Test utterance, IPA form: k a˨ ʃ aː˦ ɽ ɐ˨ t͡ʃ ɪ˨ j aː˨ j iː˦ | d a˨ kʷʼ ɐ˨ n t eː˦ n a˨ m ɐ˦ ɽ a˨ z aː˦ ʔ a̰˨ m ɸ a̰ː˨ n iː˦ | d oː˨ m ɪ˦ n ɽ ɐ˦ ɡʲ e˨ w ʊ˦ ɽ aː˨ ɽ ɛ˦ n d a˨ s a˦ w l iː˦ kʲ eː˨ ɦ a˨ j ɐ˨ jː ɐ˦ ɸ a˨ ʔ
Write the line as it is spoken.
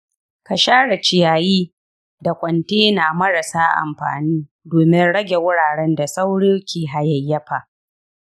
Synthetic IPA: k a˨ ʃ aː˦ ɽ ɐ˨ t͡ʃ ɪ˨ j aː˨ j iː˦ | d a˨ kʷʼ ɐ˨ n t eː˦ n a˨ m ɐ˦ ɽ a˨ s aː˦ ʔ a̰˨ m ɸ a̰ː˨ n iː˦ | d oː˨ m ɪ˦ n ɽ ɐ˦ ɡʲ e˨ w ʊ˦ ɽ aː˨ ɽ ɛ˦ n d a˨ s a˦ w ɽ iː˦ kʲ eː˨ ɦ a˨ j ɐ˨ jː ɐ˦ ɸ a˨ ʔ